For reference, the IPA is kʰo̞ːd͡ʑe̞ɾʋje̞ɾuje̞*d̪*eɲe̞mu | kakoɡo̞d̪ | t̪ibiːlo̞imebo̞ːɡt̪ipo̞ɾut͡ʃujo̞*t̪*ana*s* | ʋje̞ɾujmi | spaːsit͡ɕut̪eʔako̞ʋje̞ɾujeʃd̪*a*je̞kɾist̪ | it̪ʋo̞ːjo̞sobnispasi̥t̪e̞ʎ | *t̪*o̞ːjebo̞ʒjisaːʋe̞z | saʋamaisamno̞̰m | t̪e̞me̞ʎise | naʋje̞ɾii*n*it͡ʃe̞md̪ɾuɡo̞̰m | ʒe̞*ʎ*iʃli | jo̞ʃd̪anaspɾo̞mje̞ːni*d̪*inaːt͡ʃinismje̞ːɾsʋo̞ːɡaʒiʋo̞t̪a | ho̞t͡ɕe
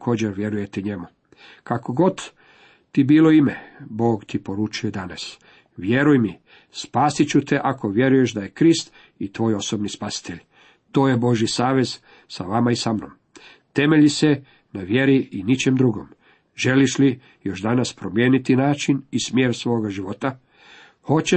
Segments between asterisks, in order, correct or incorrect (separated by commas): incorrect, incorrect, correct, correct, correct, correct, incorrect, incorrect